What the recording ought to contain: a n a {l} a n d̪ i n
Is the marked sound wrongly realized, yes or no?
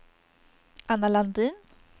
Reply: no